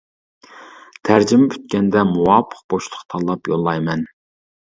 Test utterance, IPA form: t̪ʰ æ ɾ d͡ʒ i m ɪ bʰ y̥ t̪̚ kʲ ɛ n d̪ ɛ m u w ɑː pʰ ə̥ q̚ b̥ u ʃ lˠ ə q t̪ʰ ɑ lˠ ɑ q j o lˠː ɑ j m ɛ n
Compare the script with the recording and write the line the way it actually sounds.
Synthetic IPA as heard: t̪ʰ æ ɾ d͡ʒ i m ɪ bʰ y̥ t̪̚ kʲ ɛ n d̪ ɛ m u w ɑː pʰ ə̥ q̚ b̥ o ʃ lˠ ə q t̪ʰ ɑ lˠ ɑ p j o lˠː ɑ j m ɛ n

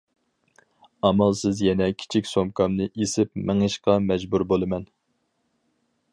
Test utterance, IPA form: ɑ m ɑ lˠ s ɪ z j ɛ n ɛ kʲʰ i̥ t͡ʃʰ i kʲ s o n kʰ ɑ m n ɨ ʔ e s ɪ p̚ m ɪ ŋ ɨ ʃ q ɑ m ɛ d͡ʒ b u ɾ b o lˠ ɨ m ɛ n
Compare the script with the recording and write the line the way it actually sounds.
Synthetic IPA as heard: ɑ m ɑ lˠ s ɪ z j ɛ n ɛ kʲʰ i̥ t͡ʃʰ i kʲ s o m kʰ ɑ m n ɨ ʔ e s ɪ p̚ m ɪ ŋ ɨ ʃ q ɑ m ɛ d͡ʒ b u ɾ b o lˠ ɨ m ɛ n

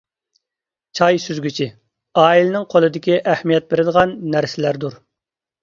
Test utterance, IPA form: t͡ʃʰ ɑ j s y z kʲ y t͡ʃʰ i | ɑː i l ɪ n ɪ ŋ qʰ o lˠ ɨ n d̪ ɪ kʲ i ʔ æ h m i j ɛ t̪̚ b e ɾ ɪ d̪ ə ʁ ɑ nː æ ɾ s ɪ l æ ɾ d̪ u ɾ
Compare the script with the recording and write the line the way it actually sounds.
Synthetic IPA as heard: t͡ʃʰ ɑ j s y z ɡʲ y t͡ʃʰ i | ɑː i l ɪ n ɪ ŋ qʰ o lˠ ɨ d̪ ɪ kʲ i ʔ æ h m i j ɛ t̪̚ b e ɾ ɪ d̪ ə ʁ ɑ nː æ ɾ s ɪ l æ ɾ d̪ u ɾ

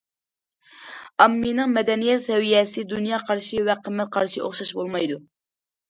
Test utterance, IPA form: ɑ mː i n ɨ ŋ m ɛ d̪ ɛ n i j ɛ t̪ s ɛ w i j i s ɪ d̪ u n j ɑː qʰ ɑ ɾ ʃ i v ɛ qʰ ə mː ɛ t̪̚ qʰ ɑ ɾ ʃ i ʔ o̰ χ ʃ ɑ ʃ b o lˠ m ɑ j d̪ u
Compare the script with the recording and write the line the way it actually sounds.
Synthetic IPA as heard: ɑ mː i n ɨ ŋ m ɛ d̪ ɛ n i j ɛ t̪ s ɛ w i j ɛ s ɪ d̪ u n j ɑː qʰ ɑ ɾ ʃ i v ɛ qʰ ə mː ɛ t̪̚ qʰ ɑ ɾ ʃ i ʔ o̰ χ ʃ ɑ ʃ b o lˠ m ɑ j d̪ u

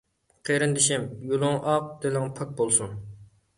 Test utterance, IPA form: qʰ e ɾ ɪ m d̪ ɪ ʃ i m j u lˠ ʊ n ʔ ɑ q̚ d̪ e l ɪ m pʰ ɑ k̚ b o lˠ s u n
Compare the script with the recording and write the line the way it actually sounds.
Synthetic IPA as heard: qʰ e ɾ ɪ n d̪ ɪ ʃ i m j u lˠ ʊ ŋ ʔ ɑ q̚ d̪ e l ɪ ŋ pʰ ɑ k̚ b o lˠ s u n

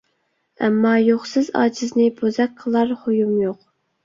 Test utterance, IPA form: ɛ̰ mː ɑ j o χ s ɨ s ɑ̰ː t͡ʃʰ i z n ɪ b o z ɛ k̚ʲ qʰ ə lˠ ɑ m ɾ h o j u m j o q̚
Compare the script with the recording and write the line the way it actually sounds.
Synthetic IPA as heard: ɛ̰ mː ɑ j o χ s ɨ z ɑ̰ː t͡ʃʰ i z n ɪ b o z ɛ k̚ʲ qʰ ə lˠ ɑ ɾ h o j u m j o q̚

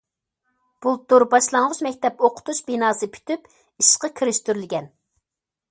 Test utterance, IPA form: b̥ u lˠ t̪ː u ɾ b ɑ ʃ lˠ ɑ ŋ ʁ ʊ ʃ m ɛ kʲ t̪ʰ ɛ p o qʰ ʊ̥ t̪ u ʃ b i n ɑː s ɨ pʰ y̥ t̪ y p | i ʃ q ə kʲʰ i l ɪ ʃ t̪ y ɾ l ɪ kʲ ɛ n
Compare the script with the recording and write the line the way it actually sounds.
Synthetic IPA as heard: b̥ u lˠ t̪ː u ɾ b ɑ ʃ lˠ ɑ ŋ ʁ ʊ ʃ m ɛ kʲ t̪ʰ ɛ p o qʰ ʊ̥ t̪ u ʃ b i n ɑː s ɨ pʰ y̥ t̪ y p | i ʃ q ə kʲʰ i ɾ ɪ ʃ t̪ y ɾ l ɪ ɡʲ ɛ n

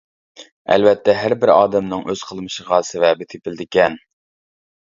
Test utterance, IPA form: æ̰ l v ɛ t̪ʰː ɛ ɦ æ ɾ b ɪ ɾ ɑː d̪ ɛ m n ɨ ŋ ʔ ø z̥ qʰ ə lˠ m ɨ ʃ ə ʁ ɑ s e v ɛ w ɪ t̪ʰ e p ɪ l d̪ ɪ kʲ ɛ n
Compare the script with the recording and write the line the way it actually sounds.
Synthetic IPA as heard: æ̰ l v ɛ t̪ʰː ɛ ɦ æ ɾ b ɪ ɾ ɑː d̪ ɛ m n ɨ ŋ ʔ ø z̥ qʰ ə lˠ m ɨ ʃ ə ʁ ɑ s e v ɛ b ɪ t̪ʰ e p ɪ l d̪ ɪ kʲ ɛ n

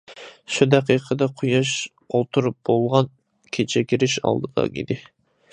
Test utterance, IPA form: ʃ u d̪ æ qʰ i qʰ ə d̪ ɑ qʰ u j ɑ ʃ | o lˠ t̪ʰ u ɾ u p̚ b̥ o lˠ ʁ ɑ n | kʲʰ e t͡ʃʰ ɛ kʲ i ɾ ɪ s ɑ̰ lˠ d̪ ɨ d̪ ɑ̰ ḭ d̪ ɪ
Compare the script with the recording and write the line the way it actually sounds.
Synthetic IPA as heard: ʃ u d̪ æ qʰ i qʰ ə d̪ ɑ qʰ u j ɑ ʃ | o lˠ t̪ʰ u ɾ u p̚ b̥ o lˠ ʁ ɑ n | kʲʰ e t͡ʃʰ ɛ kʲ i ɾ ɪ ʃ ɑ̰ lˠ d̪ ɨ d̪ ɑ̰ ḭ d̪ ɪ

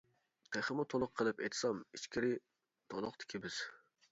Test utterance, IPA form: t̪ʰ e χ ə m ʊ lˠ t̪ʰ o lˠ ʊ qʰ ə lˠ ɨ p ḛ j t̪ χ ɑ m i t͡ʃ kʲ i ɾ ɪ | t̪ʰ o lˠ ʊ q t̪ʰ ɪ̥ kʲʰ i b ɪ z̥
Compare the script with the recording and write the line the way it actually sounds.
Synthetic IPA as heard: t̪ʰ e χ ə m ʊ t̪ʰ o lˠ ʊ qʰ ə lˠ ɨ p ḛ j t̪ s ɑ m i t͡ʃ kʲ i ɾ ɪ | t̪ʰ o lˠ ʊ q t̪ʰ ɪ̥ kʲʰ i b ɪ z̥

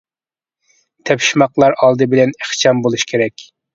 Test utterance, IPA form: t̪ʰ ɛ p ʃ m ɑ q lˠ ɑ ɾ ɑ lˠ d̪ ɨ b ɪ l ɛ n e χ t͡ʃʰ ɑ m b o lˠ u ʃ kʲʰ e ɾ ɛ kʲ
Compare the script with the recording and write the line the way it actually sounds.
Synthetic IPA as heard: t̪ʰ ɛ p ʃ m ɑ q lˠ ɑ ɾ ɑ lˠ d̪ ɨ b ɪ l ɛ n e χ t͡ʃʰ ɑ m b o lˠ u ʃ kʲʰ e ɾ ɛ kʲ

